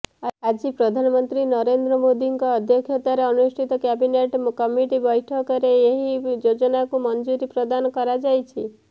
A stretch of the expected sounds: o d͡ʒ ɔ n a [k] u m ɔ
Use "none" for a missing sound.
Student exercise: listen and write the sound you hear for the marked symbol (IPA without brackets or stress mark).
k